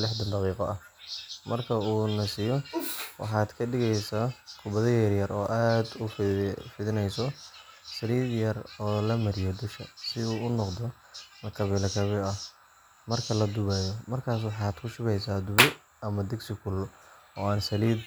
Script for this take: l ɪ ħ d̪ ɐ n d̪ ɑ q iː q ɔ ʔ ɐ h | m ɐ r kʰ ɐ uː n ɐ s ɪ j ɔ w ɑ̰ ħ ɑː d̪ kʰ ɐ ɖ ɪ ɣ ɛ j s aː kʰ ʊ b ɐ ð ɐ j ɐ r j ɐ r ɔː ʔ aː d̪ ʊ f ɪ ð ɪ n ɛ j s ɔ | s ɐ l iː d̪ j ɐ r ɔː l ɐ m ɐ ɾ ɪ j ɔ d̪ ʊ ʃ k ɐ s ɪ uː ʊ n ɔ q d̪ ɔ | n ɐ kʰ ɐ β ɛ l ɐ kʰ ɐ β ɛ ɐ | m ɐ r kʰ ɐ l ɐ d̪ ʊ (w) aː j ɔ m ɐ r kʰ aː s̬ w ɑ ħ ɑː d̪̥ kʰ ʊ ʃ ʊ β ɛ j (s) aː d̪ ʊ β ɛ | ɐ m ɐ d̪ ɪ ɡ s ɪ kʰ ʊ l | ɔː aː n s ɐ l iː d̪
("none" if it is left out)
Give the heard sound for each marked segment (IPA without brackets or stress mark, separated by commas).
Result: β, s